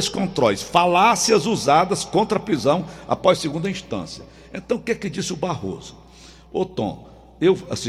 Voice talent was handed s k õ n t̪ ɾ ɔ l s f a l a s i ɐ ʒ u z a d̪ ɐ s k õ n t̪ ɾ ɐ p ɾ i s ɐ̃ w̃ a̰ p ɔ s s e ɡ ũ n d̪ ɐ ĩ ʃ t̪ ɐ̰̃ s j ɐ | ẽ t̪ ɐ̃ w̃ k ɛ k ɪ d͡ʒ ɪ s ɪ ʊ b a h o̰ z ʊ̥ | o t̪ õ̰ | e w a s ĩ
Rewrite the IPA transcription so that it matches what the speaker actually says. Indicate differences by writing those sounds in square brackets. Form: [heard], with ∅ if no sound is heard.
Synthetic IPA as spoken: s k õ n t̪ ɾ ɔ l s f a l a s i ɐ [z] u z a d̪ ɐ s k õ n t̪ ɾ ɐ p ɾ i [z] ɐ̃ w̃ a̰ p ɔ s s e ɡ ũ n d̪ ɐ ĩ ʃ t̪ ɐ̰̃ s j ɐ | ẽ t̪ ɐ̃ w̃ k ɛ k ɪ d͡ʒ [i] s ɪ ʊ b a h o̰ z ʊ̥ | o t̪ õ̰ | e w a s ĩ